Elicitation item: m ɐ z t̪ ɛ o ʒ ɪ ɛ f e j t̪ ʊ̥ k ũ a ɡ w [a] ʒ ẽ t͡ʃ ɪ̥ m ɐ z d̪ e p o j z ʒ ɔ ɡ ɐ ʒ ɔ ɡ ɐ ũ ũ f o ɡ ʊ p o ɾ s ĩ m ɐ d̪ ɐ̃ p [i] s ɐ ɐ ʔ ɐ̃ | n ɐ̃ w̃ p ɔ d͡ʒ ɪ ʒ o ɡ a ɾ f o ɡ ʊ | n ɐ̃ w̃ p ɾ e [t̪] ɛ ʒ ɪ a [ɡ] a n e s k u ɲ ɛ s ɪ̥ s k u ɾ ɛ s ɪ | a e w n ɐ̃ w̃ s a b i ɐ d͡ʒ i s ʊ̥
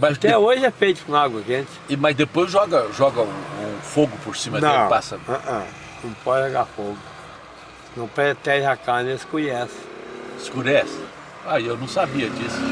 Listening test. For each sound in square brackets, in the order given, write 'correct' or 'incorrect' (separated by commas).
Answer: incorrect, incorrect, correct, incorrect